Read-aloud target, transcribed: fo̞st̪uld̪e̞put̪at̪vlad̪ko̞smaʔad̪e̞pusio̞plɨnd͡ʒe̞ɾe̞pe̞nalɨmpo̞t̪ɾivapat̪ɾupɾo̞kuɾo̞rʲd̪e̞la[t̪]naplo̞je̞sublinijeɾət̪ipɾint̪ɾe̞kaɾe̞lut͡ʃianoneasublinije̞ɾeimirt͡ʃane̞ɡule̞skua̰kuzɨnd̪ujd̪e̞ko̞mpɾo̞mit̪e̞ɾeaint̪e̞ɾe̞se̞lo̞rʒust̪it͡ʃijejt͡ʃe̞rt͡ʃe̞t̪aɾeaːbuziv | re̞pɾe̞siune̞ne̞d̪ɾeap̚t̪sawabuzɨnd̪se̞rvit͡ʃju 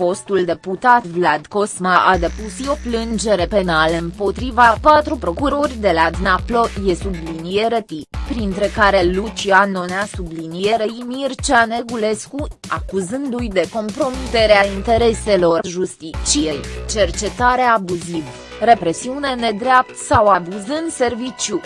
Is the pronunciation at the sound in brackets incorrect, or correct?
incorrect